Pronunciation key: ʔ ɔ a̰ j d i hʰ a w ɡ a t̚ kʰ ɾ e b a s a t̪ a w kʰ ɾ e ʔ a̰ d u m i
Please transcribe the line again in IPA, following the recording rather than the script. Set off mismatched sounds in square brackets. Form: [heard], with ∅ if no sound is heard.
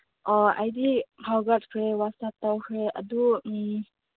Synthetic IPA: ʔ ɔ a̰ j d i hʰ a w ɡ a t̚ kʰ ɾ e [w] a s a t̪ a w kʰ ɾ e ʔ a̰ d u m i